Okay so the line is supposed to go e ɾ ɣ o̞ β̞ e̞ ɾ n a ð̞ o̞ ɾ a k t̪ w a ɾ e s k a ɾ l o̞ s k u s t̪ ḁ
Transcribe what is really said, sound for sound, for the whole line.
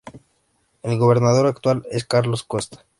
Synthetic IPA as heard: e l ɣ o̞ β̞ e̞ ɾ n a ð̞ o̞ ɾ a k t̪ w a l e s k a ɾ l o̞ s k o s t̪ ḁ